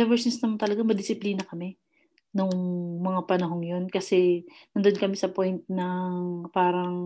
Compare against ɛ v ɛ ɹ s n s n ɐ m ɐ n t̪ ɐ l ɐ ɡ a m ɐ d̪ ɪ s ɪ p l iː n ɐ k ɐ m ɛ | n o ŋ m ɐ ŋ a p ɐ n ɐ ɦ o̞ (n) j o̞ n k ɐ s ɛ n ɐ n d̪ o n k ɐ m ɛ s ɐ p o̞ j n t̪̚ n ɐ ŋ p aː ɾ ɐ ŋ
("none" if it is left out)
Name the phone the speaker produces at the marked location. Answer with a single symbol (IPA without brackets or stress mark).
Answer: ŋ